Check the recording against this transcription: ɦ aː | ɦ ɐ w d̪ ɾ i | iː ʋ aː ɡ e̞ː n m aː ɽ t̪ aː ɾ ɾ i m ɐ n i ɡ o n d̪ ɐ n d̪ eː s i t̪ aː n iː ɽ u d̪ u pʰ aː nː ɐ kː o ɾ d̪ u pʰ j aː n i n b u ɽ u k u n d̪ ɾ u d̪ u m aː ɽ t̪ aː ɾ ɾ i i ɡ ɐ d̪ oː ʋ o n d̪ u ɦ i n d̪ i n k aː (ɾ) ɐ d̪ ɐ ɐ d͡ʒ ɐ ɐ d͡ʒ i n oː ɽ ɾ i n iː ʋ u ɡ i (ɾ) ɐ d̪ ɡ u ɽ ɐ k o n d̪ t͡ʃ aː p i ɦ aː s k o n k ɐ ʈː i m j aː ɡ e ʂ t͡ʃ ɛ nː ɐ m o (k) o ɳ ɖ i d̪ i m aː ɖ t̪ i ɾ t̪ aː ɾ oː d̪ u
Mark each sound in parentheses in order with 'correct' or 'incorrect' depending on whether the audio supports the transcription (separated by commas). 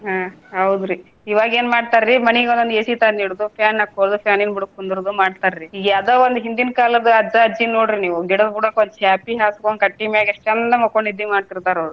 incorrect, incorrect, correct